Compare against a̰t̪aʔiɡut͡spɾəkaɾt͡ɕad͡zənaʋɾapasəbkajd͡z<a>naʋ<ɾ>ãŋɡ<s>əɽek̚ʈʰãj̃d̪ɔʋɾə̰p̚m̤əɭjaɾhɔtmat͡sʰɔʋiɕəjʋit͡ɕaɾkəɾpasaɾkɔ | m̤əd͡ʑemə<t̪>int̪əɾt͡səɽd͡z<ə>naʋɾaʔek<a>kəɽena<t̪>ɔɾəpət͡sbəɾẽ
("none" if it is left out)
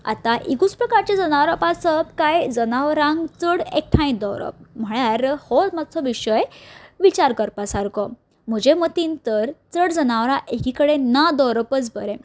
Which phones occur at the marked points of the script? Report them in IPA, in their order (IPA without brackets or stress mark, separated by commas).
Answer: ə, ɾ, t͡s, t̪, ə, i, d̪